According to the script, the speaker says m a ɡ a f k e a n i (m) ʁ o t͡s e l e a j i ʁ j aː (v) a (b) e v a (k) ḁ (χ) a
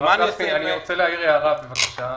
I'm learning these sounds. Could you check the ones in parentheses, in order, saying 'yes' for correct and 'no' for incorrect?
no, no, yes, yes, no

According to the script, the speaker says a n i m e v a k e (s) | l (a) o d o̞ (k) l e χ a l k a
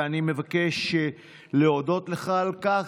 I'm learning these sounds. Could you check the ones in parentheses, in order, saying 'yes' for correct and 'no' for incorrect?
no, no, no

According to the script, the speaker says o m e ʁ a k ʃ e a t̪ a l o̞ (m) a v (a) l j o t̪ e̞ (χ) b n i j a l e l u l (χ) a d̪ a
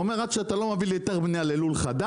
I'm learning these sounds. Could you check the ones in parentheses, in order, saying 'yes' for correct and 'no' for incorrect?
yes, no, no, yes

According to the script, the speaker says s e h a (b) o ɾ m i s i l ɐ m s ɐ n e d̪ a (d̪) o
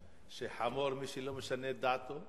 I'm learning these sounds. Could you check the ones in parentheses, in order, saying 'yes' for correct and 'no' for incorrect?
no, no

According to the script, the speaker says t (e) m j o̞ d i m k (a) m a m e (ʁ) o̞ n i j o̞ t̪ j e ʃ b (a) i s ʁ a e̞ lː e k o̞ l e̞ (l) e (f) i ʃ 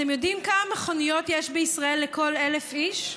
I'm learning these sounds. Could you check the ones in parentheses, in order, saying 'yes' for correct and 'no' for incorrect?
yes, yes, no, no, yes, yes

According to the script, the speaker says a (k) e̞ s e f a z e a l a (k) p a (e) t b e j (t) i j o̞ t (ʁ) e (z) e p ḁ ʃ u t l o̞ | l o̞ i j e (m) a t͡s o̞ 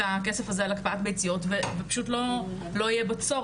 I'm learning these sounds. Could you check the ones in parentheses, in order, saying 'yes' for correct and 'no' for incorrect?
yes, yes, no, no, no, no, no

